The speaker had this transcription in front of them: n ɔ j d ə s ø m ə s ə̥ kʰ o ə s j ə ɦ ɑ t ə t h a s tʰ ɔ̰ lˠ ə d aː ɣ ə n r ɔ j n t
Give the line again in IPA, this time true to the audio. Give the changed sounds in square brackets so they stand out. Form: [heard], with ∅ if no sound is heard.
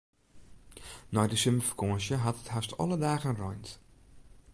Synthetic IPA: n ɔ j d ə s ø m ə [f] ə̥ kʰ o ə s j ə ɦ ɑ t ə t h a s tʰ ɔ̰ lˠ ə d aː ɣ ə n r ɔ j n t